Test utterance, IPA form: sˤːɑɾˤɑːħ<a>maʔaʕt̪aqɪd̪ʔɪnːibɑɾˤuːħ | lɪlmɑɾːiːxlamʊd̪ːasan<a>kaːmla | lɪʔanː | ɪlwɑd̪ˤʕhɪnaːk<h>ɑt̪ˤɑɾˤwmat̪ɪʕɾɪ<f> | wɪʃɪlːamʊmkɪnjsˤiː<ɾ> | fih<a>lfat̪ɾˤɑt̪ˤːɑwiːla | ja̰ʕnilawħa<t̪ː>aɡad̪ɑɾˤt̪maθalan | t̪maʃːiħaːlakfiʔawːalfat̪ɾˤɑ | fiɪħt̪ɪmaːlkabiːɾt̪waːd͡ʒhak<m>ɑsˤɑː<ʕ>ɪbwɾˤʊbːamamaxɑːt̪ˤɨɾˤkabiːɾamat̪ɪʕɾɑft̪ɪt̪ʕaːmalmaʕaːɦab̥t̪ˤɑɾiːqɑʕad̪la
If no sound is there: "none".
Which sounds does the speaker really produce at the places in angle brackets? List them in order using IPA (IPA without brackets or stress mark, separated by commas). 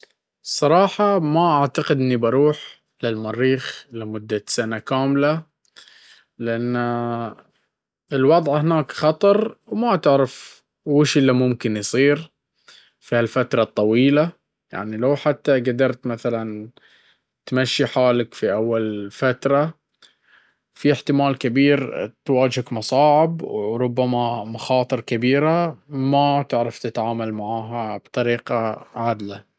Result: ɑ, a, x, f, ɾ, a, t̪ː, m, ʕ